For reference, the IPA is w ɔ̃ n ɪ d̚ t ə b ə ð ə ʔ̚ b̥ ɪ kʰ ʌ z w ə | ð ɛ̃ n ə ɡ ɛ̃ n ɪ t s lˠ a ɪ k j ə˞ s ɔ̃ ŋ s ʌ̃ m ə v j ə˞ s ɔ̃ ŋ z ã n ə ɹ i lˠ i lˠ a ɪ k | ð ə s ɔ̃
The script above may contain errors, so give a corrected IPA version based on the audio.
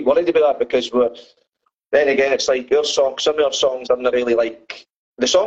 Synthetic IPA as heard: w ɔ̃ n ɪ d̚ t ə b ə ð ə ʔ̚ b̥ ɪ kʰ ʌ z w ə | ð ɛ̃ n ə ɡ ɛ̃ n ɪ t s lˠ a ɪ k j ə˞ s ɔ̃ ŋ s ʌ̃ m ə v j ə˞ s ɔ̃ ŋ z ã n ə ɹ i lˠ i lˠ a ɪ k | ð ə s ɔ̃